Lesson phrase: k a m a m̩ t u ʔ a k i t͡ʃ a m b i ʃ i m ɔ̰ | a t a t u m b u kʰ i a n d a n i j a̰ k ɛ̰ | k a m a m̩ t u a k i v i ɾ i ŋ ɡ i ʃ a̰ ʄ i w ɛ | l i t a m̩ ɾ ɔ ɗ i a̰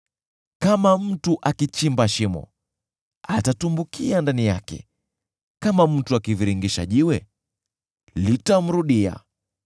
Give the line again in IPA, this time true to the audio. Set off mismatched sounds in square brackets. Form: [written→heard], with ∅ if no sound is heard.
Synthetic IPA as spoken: k a m a m̩ t u ʔ a k i t͡ʃ [a→i] m b [i→a] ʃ i m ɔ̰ | a t a t u m b u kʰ i a n d a n i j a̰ k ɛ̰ | k a m a m̩ t u a k i v i ɾ i ŋ ɡ i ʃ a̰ ʄ i w ɛ | l i t a m̩ ɾ [ɔ→u] ɗ i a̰